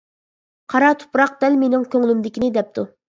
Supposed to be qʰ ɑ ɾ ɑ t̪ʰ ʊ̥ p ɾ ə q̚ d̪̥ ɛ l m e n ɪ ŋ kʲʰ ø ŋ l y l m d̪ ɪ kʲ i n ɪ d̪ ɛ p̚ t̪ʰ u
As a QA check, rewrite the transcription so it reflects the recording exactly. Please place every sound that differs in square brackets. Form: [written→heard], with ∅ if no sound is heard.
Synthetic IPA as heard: qʰ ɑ ɾ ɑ t̪ʰ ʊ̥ p ɾ [ə→ɑ] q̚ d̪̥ ɛ l m e n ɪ ŋ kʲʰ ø ŋ l y [l→∅] m d̪ ɪ kʲ i n ɪ d̪ ɛ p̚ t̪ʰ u